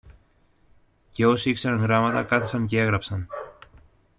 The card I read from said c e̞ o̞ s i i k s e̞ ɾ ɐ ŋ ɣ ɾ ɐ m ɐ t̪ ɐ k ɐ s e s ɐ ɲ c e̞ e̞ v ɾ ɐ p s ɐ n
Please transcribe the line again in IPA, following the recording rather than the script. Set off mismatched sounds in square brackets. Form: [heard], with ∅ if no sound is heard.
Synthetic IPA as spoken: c e̞ o̞ s i i k s e̞ ɾ ɐ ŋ ɣ ɾ ɐ m ɐ t̪ ɐ k ɐ [θ] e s ɐ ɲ c e̞ e̞ [ɣ] ɾ ɐ p s ɐ n